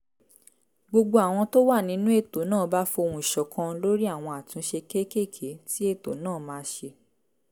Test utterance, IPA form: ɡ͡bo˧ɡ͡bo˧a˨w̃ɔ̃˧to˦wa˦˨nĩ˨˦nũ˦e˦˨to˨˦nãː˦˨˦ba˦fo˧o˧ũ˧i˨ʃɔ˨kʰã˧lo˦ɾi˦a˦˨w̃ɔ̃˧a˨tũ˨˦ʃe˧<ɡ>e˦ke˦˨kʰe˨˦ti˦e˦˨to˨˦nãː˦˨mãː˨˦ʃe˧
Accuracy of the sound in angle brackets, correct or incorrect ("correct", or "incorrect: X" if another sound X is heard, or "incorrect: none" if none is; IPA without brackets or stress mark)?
incorrect: k